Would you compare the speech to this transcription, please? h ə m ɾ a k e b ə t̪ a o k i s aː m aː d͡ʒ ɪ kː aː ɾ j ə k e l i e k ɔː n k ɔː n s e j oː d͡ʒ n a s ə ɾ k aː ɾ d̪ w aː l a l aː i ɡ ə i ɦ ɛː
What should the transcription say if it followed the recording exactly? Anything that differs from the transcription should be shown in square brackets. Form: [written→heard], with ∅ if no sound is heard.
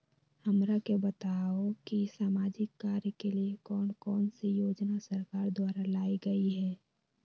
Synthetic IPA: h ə m ɾ a k e b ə t̪ a o k i s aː m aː d͡ʒ ɪ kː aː ɾ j ə k e l i e k ɔː n k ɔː n s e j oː d͡ʒ n a s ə ɾ k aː ɾ d̪ w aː [l→ɾ] a l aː i ɡ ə i ɦ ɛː